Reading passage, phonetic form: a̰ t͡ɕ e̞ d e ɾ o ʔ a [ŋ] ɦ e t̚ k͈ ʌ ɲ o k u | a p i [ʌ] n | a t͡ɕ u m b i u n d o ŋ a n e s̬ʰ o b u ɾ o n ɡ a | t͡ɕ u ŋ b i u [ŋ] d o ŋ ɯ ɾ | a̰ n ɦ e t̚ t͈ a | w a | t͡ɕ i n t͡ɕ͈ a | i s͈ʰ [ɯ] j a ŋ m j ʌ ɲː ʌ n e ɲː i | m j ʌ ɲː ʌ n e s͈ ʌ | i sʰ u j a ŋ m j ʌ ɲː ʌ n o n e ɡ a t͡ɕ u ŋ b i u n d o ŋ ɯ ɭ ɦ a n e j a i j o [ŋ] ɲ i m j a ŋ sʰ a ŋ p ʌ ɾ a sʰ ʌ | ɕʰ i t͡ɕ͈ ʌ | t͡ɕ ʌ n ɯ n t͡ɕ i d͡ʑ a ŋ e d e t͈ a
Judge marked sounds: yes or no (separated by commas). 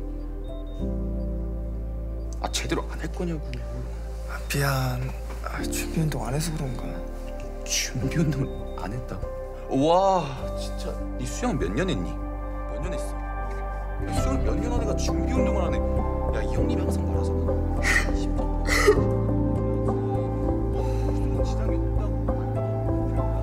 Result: no, no, no, no, yes